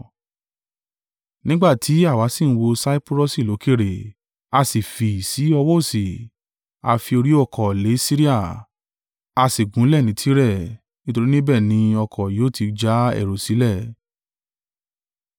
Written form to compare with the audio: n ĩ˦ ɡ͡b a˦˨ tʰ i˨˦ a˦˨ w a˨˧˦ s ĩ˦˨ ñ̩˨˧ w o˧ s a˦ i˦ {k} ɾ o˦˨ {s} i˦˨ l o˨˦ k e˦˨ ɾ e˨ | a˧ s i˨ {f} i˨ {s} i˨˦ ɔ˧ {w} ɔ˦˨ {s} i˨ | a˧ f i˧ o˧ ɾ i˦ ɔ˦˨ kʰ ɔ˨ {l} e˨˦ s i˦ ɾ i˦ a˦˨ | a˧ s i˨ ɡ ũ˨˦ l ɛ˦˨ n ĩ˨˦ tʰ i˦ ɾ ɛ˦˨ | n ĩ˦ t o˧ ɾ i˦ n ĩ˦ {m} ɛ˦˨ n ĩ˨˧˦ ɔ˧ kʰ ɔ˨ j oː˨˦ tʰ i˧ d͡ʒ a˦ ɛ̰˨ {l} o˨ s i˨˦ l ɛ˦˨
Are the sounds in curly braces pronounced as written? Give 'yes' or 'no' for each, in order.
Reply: no, yes, yes, yes, yes, yes, yes, no, no

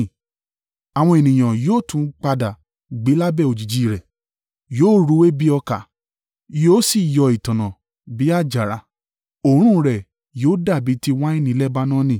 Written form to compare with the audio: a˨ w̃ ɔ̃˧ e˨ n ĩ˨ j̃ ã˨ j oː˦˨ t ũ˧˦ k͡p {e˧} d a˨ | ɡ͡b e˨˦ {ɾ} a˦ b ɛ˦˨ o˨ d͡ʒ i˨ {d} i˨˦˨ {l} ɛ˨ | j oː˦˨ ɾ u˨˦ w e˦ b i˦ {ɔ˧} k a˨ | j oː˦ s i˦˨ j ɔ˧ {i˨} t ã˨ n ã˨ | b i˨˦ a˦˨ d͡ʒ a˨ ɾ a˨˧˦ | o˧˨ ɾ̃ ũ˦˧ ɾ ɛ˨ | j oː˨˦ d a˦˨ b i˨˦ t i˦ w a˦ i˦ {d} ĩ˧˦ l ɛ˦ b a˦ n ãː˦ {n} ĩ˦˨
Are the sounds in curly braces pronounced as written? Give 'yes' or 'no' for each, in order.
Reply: no, no, no, no, yes, yes, no, yes

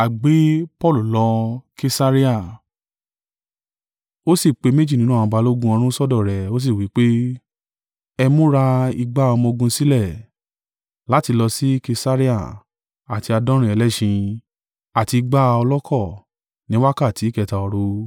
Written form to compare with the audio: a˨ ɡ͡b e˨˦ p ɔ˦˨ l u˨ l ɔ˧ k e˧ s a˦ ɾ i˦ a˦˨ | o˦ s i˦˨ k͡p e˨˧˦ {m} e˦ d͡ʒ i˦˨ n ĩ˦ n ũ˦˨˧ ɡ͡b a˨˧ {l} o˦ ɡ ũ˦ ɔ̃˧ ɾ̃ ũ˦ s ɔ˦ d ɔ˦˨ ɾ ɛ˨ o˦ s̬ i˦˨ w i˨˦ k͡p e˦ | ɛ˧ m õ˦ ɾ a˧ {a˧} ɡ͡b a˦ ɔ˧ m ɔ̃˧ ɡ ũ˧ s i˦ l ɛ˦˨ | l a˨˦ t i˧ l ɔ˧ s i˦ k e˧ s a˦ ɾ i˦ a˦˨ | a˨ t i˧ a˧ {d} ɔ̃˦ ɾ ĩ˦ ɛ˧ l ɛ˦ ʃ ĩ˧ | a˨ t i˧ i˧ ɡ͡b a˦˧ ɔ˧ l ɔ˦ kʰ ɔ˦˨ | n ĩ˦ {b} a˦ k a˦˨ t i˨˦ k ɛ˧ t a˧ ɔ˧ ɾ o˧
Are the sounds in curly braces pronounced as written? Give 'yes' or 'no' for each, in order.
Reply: yes, yes, no, yes, no

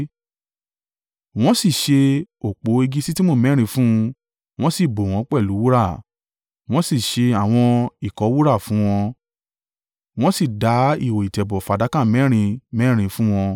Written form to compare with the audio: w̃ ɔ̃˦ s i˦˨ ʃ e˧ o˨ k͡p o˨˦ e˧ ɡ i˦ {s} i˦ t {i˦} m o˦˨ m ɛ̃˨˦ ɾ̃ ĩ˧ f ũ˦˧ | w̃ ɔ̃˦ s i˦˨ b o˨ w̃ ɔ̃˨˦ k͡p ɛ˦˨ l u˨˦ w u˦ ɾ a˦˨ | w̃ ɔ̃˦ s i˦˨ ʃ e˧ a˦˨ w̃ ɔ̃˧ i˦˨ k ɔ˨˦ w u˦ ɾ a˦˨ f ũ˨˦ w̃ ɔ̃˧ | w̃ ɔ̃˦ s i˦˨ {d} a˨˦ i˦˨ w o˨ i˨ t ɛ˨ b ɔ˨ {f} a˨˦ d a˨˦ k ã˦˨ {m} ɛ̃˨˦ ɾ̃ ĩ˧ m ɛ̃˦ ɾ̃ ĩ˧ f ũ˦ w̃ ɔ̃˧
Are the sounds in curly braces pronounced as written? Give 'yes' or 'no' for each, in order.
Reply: yes, yes, yes, yes, yes

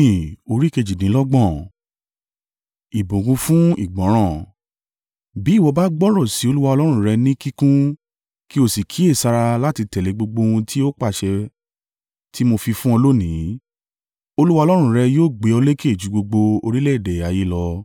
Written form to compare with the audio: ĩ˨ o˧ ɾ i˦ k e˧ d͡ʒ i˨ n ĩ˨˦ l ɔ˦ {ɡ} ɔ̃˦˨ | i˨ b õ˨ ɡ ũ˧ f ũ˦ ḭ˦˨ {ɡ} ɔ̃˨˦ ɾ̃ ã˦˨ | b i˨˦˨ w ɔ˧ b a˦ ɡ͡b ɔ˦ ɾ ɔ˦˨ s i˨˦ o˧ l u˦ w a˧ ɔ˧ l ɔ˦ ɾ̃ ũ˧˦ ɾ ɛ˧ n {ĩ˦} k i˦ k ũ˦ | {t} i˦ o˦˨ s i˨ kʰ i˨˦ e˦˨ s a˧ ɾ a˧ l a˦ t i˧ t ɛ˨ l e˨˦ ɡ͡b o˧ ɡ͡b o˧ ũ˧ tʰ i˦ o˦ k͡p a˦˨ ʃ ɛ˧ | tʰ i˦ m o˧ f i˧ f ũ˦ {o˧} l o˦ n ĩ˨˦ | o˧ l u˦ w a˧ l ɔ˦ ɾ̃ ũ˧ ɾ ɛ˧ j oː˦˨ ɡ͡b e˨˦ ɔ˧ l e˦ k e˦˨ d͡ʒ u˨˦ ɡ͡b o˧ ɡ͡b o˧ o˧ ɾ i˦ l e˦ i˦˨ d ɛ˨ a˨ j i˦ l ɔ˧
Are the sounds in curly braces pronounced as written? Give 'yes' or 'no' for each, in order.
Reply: no, no, yes, no, no

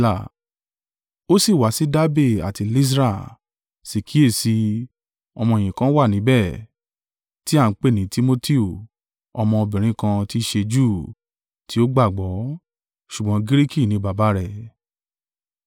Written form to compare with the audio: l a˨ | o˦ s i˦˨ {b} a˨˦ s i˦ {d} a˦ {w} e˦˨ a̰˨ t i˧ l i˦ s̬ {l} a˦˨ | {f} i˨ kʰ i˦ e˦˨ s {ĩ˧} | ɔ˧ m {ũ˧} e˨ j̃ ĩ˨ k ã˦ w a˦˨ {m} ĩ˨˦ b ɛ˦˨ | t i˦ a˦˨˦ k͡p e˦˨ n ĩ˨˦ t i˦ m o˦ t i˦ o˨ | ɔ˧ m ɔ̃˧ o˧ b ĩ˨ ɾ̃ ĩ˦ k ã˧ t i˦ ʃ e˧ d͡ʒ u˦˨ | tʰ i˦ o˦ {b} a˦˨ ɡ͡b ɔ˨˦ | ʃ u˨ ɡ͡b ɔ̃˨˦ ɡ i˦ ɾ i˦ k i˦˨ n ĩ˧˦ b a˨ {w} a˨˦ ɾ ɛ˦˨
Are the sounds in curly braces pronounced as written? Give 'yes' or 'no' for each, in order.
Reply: no, yes, no, no, no, no, no, no, no, no

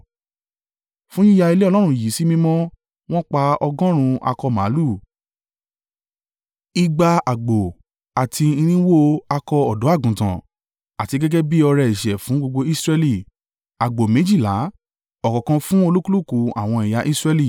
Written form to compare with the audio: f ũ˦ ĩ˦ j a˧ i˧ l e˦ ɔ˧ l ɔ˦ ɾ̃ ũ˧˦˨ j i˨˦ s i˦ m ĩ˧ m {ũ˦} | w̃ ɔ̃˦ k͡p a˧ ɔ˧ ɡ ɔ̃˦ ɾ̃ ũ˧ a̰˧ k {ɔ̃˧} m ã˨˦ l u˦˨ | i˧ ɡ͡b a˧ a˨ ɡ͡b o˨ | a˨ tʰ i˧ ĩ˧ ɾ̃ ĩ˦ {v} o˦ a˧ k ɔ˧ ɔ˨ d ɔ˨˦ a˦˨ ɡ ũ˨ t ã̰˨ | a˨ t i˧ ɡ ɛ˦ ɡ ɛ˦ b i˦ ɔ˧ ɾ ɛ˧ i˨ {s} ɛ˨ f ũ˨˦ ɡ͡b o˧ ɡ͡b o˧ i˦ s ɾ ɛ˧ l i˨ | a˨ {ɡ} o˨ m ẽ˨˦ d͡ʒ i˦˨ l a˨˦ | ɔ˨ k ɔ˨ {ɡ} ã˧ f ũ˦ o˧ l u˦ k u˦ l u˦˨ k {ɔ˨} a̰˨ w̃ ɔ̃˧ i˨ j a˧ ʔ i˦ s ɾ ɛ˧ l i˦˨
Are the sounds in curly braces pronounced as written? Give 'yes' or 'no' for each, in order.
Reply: no, no, no, no, no, no, no

